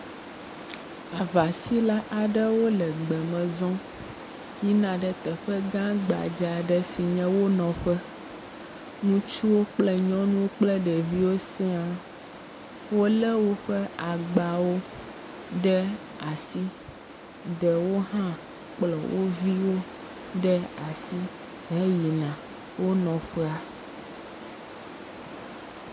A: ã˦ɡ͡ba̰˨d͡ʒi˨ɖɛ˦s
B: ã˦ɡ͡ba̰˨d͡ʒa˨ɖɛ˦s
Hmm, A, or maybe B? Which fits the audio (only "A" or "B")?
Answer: B